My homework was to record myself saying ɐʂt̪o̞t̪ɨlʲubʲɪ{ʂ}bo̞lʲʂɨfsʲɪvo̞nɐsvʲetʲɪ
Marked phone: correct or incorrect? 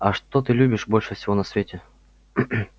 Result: correct